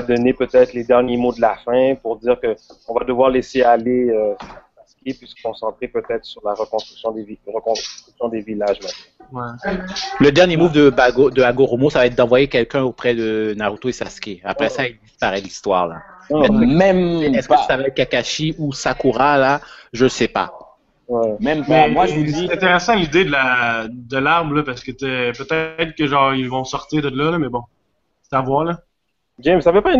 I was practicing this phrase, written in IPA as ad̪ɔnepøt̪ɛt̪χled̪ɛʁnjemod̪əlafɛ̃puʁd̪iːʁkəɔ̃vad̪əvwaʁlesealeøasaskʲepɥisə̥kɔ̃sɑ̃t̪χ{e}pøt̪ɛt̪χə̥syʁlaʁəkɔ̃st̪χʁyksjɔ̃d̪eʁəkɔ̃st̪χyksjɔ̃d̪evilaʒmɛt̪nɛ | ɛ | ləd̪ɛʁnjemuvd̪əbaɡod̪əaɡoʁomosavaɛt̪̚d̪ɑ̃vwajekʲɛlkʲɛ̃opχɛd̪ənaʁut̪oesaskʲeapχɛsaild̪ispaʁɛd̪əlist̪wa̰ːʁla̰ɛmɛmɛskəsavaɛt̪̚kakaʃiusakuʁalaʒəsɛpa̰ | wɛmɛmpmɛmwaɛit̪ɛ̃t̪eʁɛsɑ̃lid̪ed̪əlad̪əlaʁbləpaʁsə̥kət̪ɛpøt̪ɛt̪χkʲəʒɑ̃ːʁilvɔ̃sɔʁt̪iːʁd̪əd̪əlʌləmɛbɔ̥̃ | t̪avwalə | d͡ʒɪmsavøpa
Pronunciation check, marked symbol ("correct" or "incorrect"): correct